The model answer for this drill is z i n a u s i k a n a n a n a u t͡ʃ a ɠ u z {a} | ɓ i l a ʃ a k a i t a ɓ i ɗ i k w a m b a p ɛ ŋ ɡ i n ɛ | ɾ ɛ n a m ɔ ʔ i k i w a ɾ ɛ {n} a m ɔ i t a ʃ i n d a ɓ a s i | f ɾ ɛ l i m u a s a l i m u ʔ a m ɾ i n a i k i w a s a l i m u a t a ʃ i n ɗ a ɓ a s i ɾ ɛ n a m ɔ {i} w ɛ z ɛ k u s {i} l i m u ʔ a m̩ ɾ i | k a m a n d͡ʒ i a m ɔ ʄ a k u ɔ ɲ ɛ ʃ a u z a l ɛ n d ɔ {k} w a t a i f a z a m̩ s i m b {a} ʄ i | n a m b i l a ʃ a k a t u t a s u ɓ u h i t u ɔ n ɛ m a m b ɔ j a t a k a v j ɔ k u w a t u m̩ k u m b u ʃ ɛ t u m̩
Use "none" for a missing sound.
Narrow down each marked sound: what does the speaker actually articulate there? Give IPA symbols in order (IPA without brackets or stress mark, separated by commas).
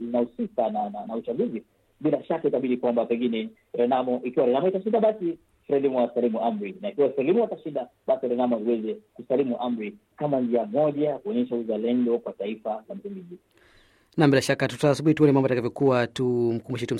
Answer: i, n, i, a, k, i